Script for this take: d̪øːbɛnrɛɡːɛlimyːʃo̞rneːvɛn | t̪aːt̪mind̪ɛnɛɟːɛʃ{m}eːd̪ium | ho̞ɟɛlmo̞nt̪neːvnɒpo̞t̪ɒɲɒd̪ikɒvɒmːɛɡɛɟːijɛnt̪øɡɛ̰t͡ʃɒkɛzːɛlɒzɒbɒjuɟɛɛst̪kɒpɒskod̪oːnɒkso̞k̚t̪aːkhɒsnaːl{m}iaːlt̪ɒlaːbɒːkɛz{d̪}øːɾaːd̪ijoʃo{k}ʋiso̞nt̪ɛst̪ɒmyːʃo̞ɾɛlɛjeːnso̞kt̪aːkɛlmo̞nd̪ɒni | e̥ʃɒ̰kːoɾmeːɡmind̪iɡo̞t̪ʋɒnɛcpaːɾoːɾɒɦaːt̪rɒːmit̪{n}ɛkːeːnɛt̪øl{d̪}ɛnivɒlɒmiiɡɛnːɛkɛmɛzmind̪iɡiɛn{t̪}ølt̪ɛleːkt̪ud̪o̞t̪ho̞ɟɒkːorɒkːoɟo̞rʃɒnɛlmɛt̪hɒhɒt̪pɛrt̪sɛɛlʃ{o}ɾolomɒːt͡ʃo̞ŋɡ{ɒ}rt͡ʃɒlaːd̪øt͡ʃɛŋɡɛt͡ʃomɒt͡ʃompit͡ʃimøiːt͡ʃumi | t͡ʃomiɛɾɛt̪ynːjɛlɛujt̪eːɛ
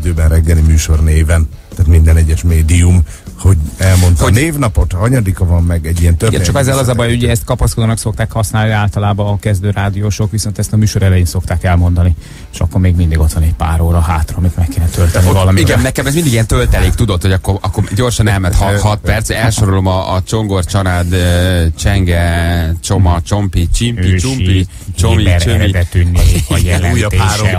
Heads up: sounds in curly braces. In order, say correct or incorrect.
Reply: correct, incorrect: n, correct, correct, incorrect: m, incorrect: t̪, correct, correct, incorrect: o

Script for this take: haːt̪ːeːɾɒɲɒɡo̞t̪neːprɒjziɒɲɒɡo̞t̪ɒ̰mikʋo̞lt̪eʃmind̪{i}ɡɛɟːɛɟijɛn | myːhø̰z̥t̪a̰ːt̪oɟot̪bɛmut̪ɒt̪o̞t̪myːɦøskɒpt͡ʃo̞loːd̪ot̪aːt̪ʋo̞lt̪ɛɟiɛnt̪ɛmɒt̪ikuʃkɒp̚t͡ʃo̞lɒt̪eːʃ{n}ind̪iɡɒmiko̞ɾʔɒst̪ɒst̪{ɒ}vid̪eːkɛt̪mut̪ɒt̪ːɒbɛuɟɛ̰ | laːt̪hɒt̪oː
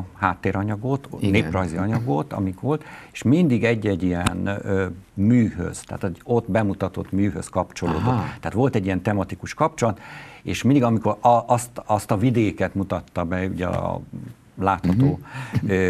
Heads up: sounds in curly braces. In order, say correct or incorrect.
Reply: correct, incorrect: m, correct

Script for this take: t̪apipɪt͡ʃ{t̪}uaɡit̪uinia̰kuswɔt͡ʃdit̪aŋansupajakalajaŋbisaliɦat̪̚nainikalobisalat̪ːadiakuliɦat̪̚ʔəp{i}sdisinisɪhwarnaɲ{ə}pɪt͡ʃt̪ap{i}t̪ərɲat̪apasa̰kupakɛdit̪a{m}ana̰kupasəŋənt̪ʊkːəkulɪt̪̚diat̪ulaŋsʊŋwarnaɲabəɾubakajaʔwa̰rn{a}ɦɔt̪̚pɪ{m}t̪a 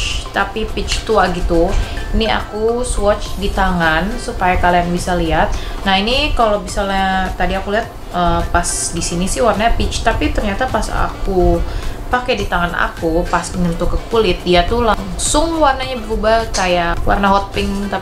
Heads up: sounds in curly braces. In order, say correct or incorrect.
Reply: correct, incorrect: a, incorrect: a, correct, incorrect: ŋ, correct, incorrect: ŋ

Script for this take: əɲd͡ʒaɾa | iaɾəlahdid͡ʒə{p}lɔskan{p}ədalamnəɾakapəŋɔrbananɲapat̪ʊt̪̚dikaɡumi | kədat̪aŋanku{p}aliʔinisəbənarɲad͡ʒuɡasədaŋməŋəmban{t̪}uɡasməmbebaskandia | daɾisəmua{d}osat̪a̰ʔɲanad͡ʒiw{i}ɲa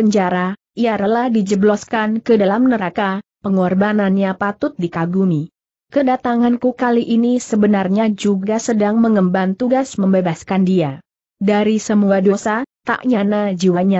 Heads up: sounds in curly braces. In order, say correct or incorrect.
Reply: incorrect: b, incorrect: k, incorrect: k, correct, correct, incorrect: a

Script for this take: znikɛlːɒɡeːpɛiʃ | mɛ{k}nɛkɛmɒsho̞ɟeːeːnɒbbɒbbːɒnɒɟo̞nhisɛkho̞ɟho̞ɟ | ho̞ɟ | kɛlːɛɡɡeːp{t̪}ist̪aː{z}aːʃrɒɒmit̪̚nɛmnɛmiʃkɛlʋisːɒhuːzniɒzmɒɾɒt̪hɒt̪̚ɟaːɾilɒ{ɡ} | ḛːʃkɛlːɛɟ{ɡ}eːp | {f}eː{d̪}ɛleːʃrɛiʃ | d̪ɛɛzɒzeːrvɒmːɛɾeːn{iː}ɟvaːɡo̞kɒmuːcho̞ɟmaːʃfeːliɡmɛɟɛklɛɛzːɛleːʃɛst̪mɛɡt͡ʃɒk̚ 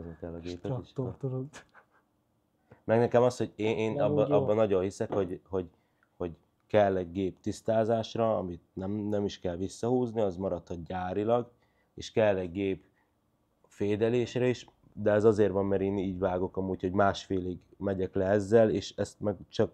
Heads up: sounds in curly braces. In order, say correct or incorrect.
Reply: incorrect: ɡ, correct, correct, correct, correct, correct, correct, correct

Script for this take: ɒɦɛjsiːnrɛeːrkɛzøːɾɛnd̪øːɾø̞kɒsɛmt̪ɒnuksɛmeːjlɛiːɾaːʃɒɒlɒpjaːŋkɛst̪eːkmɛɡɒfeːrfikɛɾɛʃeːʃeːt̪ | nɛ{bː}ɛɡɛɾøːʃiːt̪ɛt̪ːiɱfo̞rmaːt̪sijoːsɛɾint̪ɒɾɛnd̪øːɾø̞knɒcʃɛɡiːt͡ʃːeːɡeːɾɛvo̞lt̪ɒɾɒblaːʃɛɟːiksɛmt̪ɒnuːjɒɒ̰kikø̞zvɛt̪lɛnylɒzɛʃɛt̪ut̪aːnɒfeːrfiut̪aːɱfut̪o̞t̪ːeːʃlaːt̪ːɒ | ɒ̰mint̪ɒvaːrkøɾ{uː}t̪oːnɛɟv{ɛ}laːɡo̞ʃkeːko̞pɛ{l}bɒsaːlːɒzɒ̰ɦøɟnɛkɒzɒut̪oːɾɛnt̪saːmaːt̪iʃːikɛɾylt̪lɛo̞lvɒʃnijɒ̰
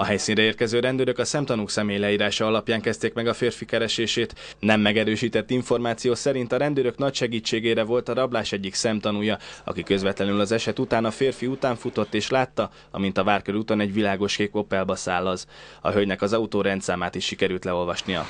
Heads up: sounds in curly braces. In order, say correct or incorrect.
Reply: incorrect: mː, incorrect: u, incorrect: i, correct

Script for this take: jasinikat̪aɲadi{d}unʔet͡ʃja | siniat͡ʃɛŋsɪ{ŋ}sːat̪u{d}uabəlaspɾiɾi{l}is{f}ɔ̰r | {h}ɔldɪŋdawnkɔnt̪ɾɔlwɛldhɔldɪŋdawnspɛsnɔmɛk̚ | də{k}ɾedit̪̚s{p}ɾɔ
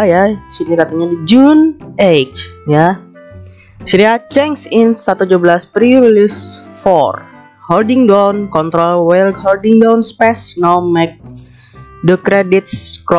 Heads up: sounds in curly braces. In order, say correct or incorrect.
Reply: incorrect: d͡ʒ, incorrect: n, incorrect: d͡ʒ, correct, correct, correct, correct, incorrect: k

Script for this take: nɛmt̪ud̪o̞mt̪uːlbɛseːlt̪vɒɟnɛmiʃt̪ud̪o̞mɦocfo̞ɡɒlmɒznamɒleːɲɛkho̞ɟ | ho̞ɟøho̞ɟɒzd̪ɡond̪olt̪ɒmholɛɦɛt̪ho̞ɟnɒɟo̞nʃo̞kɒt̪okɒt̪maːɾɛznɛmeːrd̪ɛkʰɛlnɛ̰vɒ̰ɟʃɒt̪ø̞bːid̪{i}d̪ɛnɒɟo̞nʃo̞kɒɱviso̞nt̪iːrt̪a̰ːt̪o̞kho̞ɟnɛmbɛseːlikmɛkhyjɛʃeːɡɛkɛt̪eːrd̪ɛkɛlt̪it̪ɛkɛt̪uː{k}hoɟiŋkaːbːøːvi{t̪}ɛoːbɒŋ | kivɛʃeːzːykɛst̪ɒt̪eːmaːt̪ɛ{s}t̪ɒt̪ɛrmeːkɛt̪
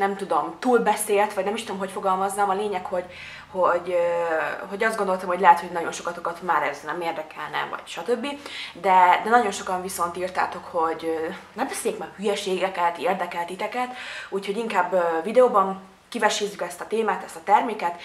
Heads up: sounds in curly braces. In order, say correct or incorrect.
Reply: incorrect: ɛ, incorrect: c, incorrect: d̪, correct

